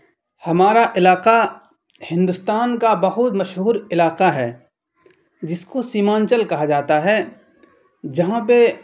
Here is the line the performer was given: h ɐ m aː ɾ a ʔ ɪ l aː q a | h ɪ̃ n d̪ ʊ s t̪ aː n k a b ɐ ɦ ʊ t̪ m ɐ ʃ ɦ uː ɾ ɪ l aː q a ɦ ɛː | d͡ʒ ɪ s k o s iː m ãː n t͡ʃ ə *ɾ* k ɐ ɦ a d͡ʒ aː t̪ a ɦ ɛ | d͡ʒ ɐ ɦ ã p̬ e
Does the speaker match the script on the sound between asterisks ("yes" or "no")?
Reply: no